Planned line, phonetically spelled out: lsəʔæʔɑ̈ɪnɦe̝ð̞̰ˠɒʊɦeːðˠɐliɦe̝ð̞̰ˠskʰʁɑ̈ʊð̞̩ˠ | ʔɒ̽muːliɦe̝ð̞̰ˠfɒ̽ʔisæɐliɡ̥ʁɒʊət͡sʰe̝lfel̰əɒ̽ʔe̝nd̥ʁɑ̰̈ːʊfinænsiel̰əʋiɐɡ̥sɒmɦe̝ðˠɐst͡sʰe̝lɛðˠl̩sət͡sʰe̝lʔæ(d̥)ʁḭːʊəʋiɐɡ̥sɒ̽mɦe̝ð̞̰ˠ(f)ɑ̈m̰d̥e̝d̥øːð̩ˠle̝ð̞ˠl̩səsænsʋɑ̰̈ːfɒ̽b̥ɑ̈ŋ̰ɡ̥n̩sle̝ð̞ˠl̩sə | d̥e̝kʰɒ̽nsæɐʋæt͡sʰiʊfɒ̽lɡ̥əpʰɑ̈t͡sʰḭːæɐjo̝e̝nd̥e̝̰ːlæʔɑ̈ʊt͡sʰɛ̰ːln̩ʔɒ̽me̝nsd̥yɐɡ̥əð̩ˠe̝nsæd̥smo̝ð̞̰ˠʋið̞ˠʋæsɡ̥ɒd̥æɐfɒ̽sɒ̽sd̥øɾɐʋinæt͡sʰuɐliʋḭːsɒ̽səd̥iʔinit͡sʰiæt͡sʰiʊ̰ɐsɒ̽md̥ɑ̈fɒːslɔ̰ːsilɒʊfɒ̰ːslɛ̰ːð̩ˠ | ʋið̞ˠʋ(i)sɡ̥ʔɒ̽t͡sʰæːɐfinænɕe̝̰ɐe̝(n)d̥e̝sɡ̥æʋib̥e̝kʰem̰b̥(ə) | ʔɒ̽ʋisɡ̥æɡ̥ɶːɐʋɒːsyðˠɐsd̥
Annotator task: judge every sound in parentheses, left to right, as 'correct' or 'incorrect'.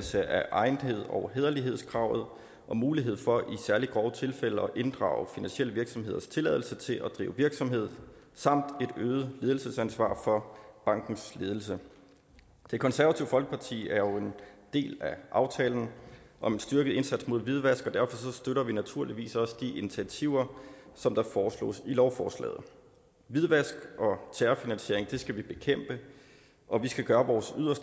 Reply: correct, incorrect: s, incorrect: æ, incorrect: ŋ, correct

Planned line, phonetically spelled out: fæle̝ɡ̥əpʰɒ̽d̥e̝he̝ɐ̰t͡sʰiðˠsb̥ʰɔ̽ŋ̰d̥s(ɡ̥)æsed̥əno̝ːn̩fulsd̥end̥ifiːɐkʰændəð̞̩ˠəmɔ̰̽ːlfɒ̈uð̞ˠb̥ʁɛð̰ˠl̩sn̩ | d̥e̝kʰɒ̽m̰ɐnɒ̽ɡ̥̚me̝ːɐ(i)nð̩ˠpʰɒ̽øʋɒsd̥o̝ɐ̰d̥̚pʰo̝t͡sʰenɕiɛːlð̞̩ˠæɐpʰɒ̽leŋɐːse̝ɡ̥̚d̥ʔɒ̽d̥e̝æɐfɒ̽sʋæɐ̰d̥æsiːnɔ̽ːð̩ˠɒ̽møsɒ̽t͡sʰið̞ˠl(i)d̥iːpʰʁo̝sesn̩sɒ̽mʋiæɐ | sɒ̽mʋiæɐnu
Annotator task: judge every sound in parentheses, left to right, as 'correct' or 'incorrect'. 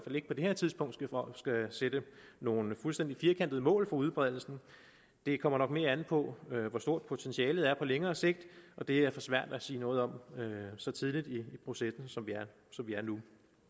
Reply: correct, incorrect: æ, correct

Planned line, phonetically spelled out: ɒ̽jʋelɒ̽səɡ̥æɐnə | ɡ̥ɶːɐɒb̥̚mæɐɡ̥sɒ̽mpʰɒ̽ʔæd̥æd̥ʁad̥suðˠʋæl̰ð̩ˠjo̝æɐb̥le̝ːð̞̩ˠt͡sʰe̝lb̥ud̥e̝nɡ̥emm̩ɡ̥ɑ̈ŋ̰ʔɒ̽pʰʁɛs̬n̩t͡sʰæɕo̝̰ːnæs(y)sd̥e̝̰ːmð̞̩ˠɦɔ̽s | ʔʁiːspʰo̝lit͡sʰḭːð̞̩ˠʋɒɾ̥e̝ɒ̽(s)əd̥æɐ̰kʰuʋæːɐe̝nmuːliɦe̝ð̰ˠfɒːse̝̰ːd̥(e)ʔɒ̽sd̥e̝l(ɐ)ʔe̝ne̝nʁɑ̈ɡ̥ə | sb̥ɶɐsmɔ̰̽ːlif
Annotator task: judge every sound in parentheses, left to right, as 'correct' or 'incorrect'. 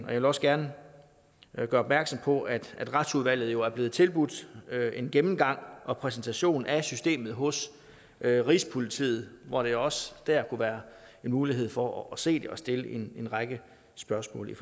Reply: correct, correct, correct, incorrect: ə

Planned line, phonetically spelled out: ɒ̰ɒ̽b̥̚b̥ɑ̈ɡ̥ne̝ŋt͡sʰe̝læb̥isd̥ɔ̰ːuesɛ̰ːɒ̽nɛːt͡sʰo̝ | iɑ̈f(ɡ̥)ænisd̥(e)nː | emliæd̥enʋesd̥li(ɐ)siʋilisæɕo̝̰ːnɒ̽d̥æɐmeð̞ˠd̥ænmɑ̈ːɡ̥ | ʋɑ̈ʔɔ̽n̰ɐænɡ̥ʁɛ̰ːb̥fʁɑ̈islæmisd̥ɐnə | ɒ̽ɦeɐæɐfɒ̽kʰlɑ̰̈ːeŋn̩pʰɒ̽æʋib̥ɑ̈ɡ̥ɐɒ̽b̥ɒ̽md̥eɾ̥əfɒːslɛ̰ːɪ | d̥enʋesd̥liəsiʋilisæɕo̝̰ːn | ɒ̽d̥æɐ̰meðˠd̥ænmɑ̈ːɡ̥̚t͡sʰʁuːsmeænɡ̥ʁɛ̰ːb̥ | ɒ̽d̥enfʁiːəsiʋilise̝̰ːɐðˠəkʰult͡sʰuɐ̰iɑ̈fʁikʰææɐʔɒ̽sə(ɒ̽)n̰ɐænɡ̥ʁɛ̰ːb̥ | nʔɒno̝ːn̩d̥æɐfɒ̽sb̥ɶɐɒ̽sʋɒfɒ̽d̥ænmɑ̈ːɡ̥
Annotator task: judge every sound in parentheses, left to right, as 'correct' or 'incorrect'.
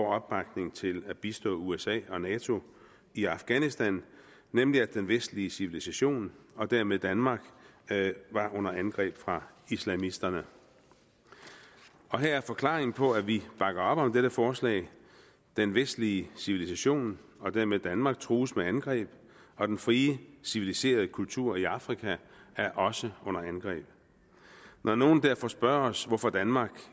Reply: correct, incorrect: æ, incorrect: ə, incorrect: ɔ̽

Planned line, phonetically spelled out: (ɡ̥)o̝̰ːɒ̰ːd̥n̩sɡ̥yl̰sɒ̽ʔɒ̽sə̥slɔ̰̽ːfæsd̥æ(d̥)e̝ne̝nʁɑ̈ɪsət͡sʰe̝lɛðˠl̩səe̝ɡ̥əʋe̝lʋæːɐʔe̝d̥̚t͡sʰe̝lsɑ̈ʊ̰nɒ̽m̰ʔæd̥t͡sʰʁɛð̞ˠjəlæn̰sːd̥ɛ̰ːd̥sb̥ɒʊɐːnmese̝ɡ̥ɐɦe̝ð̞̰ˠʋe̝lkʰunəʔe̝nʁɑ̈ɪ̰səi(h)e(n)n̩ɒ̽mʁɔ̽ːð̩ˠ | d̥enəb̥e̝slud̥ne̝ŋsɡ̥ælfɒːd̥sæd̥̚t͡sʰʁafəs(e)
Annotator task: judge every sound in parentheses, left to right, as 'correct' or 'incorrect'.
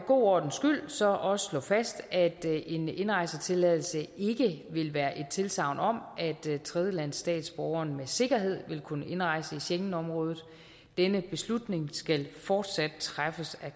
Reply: correct, correct, incorrect: ɕ, incorrect: ŋ, incorrect: æ

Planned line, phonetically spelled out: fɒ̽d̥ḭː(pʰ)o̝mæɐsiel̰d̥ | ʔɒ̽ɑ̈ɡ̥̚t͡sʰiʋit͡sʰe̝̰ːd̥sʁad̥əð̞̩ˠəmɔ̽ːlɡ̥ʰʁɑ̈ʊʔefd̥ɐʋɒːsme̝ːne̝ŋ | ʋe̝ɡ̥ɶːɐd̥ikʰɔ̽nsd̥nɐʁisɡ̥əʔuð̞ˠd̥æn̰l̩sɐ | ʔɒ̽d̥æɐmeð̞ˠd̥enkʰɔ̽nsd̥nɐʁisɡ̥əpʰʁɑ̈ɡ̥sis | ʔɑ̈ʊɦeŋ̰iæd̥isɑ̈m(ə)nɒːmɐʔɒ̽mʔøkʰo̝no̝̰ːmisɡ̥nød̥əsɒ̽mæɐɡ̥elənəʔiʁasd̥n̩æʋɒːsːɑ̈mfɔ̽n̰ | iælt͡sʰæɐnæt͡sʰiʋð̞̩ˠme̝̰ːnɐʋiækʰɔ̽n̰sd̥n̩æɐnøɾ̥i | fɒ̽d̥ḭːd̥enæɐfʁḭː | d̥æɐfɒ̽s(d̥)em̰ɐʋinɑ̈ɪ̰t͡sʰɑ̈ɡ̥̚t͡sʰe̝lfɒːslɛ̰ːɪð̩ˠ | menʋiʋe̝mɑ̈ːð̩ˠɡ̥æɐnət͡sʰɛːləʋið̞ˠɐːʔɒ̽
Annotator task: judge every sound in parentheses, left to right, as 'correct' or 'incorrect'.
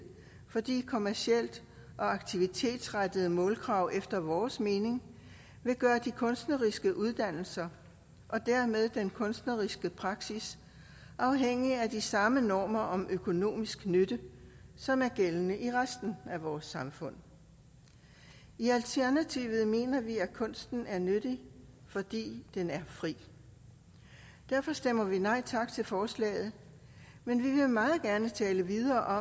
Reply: incorrect: kʰ, correct, correct

